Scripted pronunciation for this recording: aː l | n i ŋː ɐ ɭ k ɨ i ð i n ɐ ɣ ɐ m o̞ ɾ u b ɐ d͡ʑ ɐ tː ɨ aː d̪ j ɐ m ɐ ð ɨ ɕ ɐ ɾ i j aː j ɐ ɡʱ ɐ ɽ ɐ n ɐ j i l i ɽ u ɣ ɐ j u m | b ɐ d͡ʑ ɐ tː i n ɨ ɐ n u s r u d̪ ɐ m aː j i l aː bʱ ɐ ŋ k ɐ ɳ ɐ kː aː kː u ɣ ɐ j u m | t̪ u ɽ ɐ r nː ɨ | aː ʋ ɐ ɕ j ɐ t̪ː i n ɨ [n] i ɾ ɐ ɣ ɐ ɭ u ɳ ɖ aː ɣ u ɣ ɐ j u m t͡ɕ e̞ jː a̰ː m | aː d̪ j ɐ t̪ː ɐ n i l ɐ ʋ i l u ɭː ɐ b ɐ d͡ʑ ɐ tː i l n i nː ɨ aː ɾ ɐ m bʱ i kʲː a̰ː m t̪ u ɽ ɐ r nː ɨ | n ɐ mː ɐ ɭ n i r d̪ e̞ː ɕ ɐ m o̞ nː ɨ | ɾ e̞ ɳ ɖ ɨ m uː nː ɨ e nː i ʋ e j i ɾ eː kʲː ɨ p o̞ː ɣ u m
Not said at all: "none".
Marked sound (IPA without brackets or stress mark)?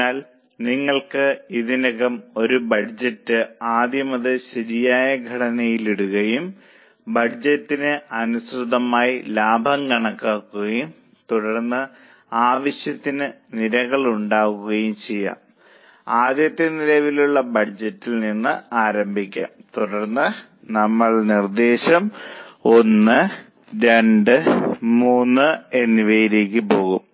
n